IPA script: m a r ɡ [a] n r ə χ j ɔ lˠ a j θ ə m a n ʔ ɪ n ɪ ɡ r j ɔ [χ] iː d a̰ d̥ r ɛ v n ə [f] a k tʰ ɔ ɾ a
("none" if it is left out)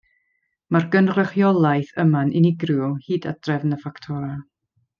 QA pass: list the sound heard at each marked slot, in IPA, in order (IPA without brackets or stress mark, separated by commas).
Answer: ə, h, f